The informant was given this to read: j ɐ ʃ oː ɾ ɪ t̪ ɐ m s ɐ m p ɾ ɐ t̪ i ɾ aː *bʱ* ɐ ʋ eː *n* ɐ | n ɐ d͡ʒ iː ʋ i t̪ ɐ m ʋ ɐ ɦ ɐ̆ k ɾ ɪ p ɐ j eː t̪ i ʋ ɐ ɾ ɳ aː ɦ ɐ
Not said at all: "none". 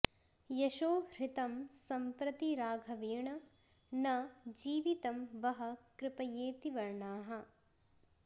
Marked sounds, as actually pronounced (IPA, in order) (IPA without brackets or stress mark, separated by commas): ɡʱ, ɳ